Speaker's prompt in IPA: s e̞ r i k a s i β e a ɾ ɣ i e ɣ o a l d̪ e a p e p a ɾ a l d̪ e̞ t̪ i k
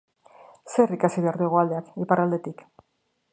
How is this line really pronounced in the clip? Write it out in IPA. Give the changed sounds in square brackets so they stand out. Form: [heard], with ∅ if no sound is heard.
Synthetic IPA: s e̞ r i k a s i β e a ɾ [ð] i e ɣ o a l d̪ e a [k] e p a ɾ a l d̪ e̞ t̪ i k